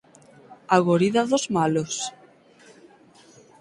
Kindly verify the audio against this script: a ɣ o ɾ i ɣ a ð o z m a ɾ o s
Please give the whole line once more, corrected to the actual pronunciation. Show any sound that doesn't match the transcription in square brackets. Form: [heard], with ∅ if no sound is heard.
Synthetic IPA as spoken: a ɣ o ɾ i [ð] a ð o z m a [l] o s